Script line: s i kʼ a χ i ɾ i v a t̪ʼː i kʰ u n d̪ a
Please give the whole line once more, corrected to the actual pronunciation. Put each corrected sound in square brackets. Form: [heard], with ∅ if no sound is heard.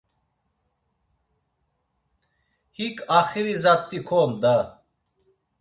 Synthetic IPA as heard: [h] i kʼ a χ i ɾ i [z] a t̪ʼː i kʰ [ɔ] n d̪ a